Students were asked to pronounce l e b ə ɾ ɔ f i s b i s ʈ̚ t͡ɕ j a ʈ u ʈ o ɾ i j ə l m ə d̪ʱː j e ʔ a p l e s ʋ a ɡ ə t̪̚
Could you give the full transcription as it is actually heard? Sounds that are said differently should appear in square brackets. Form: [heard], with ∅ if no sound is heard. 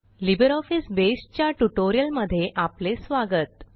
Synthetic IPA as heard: l [i] b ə ɾ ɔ f i s b [e] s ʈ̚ t͡ɕ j a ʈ u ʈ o ɾ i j ə l m ə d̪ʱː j e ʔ a p l e s ʋ a ɡ ə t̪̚